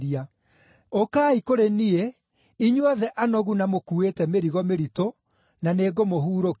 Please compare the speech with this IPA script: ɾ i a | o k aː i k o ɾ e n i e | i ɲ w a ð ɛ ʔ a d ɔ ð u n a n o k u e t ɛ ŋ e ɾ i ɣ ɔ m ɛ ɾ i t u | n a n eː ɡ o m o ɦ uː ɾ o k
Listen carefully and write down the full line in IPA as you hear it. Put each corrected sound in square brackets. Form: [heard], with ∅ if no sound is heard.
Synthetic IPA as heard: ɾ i a | o k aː i k o ɾ e n i e | i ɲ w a ð ɛ ʔ a [n] ɔ [ɣ] u n a [m] o k u e t ɛ [m] e ɾ i ɣ ɔ m [e] ɾ i t [o] | n a n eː ɡ o m o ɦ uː ɾ o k